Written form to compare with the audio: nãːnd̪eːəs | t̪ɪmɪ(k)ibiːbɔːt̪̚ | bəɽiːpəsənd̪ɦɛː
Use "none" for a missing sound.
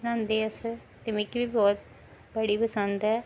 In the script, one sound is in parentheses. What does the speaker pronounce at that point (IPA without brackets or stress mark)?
k